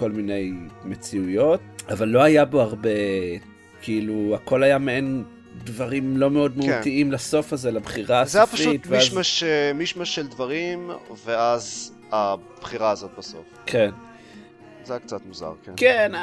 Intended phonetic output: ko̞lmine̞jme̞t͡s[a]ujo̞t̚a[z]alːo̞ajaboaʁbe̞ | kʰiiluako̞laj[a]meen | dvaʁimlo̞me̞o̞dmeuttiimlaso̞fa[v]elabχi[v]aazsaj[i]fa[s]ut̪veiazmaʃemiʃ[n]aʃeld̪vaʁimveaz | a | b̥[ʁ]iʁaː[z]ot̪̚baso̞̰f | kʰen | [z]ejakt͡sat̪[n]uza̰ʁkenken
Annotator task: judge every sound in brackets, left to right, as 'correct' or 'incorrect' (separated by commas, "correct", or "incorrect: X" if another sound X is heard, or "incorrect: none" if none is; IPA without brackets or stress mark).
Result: incorrect: i, incorrect: v, correct, incorrect: z, incorrect: ʁ, incorrect: a, incorrect: ʃ, incorrect: m, incorrect: χ, correct, correct, incorrect: m